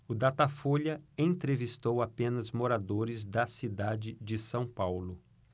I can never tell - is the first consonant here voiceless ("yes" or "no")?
no